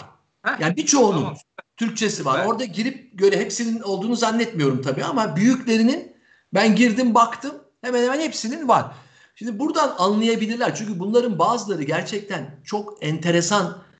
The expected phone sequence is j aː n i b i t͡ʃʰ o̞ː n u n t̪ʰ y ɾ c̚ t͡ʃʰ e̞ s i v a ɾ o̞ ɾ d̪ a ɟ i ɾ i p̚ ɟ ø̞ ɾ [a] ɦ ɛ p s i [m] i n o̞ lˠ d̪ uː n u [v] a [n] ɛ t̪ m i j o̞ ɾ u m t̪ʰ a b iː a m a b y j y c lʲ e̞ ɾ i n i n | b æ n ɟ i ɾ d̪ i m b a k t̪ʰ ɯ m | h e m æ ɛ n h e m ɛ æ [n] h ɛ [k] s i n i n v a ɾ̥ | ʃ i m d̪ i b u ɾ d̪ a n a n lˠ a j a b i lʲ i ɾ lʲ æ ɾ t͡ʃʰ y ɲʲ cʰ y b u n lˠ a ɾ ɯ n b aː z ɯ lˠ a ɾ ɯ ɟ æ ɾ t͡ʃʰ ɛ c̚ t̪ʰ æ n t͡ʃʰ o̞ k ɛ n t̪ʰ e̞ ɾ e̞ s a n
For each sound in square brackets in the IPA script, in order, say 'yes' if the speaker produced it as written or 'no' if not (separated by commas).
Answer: no, no, no, no, yes, no